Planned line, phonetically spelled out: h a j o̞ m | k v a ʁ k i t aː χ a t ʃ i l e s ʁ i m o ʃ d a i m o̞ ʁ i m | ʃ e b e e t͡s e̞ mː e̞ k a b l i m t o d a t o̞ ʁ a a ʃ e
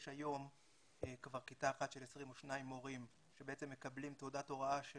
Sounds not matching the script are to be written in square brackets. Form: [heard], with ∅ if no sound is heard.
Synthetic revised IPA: [ʃ] a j o̞ m | k v a ʁ k i t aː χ a t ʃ [e] l e s ʁ i m o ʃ [n] a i m o̞ ʁ i m | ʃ e b e e t͡s e̞ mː e̞ k a b l i m t o d a t o̞ ʁ a a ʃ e